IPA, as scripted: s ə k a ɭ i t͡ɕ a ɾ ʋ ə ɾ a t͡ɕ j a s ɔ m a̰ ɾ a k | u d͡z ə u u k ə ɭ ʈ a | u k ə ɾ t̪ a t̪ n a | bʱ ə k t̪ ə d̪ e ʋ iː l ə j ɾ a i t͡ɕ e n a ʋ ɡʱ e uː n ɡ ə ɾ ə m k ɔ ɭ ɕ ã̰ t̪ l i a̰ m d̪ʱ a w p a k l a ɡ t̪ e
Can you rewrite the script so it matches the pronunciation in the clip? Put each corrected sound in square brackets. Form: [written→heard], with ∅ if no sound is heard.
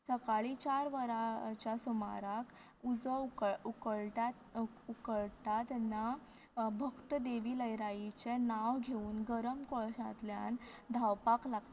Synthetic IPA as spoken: s ə k a ɭ i t͡ɕ a ɾ ʋ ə ɾ a t͡ɕ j a s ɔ m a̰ ɾ a k | u d͡z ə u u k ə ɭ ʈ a | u k ə [ɾ→ɭ] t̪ a t̪ n a | bʱ ə k t̪ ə d̪ e ʋ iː l ə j ɾ a i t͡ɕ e n a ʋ ɡʱ e uː n ɡ ə ɾ ə m k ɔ ɭ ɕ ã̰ t̪ l [i→j] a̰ [m→n] d̪ʱ a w p a k l a ɡ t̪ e